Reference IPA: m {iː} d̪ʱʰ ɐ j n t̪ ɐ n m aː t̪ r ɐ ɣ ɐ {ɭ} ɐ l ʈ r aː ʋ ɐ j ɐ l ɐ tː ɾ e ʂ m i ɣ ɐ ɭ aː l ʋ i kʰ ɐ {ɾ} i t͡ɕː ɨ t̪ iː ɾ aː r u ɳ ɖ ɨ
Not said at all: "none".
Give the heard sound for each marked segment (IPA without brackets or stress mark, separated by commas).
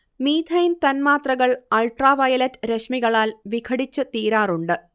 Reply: iː, ɭ, ɽ